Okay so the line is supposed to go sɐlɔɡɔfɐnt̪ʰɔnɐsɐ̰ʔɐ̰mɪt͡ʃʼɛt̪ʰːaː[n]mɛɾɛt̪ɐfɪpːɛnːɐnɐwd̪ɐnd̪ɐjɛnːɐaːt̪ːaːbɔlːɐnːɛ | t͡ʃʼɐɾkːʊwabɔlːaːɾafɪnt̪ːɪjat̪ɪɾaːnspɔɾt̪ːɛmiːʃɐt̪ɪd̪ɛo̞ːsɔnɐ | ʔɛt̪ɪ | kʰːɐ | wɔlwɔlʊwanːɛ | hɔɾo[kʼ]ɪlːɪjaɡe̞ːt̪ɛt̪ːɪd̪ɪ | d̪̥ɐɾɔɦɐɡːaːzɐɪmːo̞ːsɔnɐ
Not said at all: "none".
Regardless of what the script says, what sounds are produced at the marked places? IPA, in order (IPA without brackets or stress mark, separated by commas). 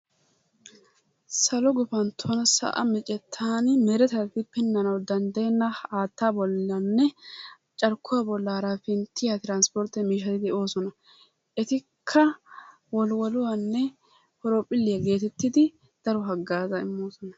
n, pʼ